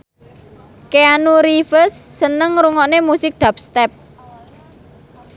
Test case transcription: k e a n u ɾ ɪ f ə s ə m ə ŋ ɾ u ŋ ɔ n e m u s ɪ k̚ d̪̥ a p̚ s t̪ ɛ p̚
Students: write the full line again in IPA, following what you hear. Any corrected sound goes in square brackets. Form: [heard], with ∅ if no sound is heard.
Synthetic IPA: k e a n u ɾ [i] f ə [sː] ə [n] ə ŋ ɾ u ŋ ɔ n e m u s ɪ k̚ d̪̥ a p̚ s t̪ ɛ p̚